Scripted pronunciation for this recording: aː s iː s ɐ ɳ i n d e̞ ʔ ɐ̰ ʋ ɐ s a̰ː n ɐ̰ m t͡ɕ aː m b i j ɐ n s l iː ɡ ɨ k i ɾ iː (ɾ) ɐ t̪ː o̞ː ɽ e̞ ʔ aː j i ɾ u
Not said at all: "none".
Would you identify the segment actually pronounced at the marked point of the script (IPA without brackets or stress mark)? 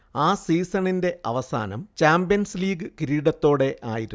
ɽ